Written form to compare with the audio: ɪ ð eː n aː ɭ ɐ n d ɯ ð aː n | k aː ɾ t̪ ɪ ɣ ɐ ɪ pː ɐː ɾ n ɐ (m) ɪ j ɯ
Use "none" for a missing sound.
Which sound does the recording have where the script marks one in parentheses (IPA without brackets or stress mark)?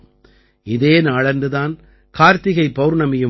m